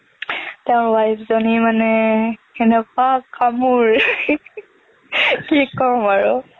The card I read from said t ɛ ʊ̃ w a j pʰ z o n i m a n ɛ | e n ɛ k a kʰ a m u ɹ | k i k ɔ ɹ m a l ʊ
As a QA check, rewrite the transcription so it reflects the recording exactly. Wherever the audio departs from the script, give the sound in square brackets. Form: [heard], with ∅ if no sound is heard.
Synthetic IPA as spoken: t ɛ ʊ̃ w a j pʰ z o n i m a n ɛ | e n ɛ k a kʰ a m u ɹ | k i k ɔ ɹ m a [ɹ] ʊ